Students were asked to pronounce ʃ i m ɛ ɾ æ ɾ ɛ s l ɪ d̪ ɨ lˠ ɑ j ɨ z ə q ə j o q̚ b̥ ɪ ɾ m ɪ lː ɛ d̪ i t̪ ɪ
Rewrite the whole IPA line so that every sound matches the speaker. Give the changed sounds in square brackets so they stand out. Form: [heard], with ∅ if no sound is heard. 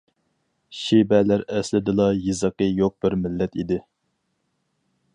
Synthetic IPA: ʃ i [b] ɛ [l] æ ɾ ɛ s l ɪ d̪ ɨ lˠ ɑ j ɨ z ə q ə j o q̚ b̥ ɪ ɾ m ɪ lː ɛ [t̪] i [d̪] ɪ